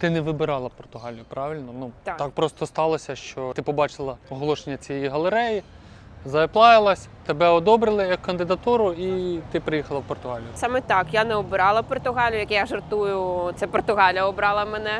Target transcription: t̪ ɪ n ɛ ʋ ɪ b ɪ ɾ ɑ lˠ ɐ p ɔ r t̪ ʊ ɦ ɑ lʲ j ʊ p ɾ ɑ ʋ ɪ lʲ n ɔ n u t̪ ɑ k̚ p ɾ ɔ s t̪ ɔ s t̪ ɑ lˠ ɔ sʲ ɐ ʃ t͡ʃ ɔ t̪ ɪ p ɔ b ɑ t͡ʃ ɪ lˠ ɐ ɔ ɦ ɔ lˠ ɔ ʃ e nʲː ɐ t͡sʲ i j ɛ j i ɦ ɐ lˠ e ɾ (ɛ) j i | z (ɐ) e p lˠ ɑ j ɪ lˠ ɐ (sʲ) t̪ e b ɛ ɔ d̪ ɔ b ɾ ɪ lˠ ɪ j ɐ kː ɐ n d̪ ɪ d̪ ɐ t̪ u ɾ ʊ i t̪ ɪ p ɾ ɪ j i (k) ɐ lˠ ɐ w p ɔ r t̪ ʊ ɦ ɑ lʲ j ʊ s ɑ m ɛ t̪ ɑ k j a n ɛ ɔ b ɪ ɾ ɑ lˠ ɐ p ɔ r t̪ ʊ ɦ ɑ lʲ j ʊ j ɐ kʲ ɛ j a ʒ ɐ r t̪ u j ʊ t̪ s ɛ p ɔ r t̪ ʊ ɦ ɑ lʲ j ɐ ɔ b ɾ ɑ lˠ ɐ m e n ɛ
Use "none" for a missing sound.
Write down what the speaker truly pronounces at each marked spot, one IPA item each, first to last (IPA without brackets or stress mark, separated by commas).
ɛ, ɐ, sʲ, x